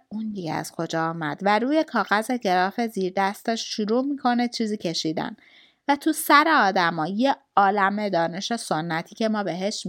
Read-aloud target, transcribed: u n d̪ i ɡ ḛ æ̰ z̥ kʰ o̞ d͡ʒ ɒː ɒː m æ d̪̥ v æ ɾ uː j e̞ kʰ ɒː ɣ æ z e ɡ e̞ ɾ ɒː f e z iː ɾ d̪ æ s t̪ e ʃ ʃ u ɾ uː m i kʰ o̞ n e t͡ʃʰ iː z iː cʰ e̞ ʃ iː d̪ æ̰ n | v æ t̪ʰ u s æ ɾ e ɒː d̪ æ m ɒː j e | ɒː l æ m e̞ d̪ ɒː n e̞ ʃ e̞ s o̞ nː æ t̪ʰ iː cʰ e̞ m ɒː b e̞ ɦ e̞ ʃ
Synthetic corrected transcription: u n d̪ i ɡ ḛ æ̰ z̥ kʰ o̞ d͡ʒ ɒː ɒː m æ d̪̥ v æ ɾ uː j e̞ kʰ ɒː ɣ æ z e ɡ e̞ ɾ ɒː f e z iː ɾ d̪ æ s t̪ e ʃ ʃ u ɾ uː m i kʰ o̞ n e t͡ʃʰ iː z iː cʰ e̞ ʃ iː d̪ æ̰ n | v æ t̪ʰ u s æ ɾ e ɒː d̪ æ m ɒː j e | ɒː l æ m e̞ d̪ ɒː n e̞ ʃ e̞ s o̞ nː æ t̪ʰ iː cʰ e̞ m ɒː b e̞ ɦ e̞ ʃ